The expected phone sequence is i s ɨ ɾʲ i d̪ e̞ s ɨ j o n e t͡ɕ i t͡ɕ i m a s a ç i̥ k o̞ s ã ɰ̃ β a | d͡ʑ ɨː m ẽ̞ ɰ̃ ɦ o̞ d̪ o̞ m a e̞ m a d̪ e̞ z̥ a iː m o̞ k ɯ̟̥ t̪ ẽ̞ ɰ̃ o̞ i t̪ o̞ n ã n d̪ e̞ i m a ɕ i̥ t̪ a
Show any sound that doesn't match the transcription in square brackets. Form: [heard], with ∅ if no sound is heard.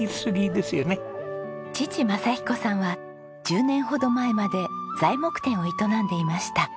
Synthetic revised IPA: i s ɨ ɾʲ i d̪ e̞ s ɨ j o n e t͡ɕ i t͡ɕ i m a s a ç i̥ k o̞ s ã ɰ̃ β a | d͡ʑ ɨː [n] ẽ̞ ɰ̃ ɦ o̞ d̪ o̞ m a e̞ m a d̪ e̞ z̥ a [i] m o̞ k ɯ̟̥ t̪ ẽ̞ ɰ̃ o̞ i t̪ o̞ n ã n d̪ e̞ i m a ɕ i̥ t̪ a

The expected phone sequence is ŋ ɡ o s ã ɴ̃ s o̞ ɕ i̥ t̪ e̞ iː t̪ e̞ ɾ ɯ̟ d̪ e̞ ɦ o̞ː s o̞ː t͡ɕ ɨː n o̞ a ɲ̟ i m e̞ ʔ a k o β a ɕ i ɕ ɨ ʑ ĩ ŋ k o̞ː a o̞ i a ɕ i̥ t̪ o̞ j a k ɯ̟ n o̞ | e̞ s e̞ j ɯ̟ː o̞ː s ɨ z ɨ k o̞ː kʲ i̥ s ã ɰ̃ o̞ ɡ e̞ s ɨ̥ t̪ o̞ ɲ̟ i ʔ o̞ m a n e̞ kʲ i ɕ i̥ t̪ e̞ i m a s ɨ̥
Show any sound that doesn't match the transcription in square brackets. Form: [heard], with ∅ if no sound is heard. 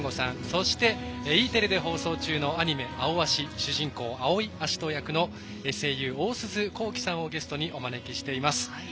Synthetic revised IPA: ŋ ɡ o s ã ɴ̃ s o̞ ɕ i̥ t̪ e̞ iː t̪ e̞ ɾ ɯ̟ d̪ e̞ ɦ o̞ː s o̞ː t͡ɕ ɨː n o̞ a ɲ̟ i m e̞ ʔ a [∅] o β a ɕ i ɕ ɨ ʑ ĩ ŋ k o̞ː a o̞ i a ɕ i̥ t̪ o̞ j a k ɯ̟ n o̞ | e̞ s e̞ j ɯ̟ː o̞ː s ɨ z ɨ k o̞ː kʲ i̥ s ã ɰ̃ o̞ ɡ e̞ s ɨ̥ t̪ o̞ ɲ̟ i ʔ o̞ m a n e̞ kʲ i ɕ i̥ t̪ e̞ i m a s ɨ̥

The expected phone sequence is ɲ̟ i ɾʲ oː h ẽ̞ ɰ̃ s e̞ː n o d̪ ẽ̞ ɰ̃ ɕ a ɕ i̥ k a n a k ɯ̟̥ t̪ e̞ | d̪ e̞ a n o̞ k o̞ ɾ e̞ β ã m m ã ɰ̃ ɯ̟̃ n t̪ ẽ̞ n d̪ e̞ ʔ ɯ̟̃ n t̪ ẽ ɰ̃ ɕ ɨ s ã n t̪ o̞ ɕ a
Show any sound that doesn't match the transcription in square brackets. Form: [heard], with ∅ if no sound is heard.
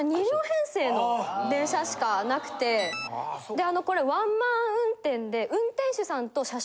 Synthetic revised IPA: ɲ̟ i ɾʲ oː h ẽ̞ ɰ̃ s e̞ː n o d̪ ẽ̞ ɰ̃ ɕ a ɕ i̥ k a n a k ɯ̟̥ t̪ e̞ | d̪ e̞ a n o̞ k o̞ ɾ e̞ β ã m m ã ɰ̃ ɯ̟̃ n t̪ ẽ̞ n d̪ e̞ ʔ ɯ̟̃ n t̪ ẽ ɰ̃ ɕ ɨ s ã n t̪ o̞ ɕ a

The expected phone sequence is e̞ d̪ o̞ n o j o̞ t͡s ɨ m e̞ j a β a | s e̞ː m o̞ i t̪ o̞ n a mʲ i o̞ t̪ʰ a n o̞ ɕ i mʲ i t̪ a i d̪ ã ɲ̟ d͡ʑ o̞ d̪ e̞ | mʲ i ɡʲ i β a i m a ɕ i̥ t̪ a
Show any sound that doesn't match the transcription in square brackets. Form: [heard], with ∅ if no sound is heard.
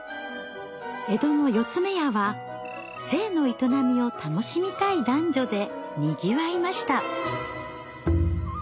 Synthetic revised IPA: e̞ d̪ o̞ n o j o̞ t͡s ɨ m e̞ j a β a | s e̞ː [n] o̞ i t̪ o̞ n a mʲ i o̞ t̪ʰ a n o̞ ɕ i mʲ i t̪ a i d̪ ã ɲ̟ d͡ʑ o̞ d̪ e̞ | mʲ i ɡʲ i β a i m a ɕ i̥ t̪ a

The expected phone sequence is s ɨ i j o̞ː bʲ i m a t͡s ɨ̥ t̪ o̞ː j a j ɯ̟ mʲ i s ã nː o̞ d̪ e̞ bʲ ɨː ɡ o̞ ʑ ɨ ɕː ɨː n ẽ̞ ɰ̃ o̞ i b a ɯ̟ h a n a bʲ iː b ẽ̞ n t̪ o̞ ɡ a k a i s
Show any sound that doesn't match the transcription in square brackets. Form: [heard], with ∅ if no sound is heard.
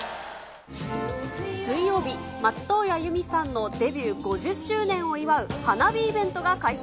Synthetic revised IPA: s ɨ i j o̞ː bʲ i m a t͡s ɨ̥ t̪ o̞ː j a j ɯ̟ mʲ i s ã nː o̞ d̪ e̞ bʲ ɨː ɡ o̞ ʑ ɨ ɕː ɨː n ẽ̞ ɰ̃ o̞ i [β] a ɯ̟ h a n a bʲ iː b ẽ̞ n t̪ o̞ ɡ a k a i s

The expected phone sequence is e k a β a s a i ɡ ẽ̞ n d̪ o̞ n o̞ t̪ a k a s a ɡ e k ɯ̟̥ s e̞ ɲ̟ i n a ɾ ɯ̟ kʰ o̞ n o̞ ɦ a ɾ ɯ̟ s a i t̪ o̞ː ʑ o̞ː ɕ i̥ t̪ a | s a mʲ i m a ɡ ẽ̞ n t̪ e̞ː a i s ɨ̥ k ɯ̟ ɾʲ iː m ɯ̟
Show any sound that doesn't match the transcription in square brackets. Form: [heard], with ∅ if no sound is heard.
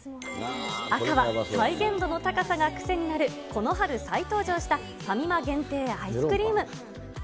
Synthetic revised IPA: [a] k a β a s a i ɡ ẽ̞ n d̪ o̞ n o̞ t̪ a k a s a ɡ [a] k ɯ̟̥ s e̞ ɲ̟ i n a ɾ ɯ̟ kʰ o̞ n o̞ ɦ a ɾ ɯ̟ s a i t̪ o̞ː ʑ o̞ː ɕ i̥ t̪ a | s a mʲ i m a ɡ ẽ̞ n t̪ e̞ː a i s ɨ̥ k ɯ̟ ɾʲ iː m ɯ̟

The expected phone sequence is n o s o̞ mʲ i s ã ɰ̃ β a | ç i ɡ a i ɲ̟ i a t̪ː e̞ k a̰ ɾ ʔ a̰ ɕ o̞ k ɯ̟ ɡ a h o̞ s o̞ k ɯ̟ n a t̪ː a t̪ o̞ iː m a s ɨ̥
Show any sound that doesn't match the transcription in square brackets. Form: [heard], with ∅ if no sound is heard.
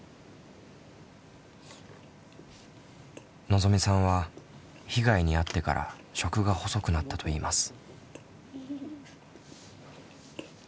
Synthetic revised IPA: n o [z] o̞ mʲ i s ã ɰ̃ β a | ç i ɡ a i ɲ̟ i a t̪ː e̞ k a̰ ɾ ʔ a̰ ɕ o̞ k ɯ̟ ɡ a h o̞ s o̞ k ɯ̟ n a t̪ː a t̪ o̞ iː m a s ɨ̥

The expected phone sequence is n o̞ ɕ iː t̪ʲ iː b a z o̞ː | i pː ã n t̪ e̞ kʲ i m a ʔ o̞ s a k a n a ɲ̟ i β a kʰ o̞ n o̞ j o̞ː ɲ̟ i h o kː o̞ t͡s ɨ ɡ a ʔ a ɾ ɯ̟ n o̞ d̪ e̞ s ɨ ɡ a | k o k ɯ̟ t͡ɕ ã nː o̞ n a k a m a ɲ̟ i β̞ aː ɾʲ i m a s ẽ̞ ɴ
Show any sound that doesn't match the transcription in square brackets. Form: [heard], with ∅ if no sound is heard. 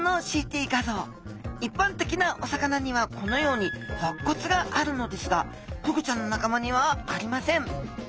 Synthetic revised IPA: n o̞ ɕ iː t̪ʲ iː [ɡ] a z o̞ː | i pː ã n t̪ e̞ kʲ i [n] a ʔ o̞ s a k a n a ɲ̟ i β a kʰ o̞ n o̞ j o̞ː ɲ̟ i h o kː o̞ t͡s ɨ ɡ a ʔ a ɾ ɯ̟ n o̞ d̪ e̞ s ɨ ɡ a | k o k ɯ̟ t͡ɕ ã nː o̞ n a k a m a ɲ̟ i β̞ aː ɾʲ i m a s ẽ̞ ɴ

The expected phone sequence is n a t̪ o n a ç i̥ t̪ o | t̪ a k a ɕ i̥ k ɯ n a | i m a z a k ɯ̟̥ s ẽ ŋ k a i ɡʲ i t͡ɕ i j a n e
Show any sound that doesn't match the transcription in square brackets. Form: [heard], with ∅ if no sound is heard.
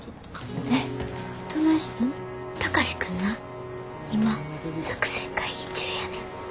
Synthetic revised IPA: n [e] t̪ o n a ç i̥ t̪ o | t̪ a k a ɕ i̥ k ɯ n a | i m a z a k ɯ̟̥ s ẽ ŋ k a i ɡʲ i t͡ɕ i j a n e

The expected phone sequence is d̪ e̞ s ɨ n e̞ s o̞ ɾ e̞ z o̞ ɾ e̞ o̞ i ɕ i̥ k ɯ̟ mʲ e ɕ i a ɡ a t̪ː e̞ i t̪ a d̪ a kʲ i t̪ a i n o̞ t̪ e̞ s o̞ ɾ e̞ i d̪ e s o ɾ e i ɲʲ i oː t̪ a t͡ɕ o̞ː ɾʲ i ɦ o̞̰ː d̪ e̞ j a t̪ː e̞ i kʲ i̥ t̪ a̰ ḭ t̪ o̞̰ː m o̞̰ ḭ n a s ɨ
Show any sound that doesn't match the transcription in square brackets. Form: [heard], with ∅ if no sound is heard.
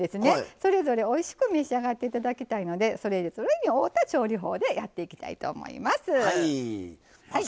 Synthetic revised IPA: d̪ e̞ s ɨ n e̞ s o̞ ɾ e̞ z o̞ ɾ e̞ o̞ i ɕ i̥ k ɯ̟ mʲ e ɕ i a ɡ a t̪ː e̞ i t̪ a d̪ a kʲ i t̪ a i n o̞ [d̪] e̞ s o̞ ɾ e̞ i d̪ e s o ɾ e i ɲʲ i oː t̪ a t͡ɕ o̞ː ɾʲ i ɦ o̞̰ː d̪ e̞ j a t̪ː e̞ i kʲ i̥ t̪ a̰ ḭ t̪ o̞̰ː m o̞̰ ḭ [m] a s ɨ

